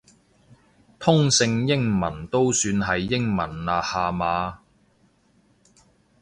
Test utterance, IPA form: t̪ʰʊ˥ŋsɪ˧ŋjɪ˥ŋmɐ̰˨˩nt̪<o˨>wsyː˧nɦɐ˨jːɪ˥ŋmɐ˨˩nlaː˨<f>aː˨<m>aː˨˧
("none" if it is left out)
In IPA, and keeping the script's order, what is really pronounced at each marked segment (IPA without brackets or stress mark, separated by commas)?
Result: o˥, h, m